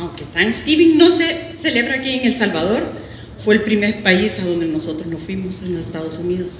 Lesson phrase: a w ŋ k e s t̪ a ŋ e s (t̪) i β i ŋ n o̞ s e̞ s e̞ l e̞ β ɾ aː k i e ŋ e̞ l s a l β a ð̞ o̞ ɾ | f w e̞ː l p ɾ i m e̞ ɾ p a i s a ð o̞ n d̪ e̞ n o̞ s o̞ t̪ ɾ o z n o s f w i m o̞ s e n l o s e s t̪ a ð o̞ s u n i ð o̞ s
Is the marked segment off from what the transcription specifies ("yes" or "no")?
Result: no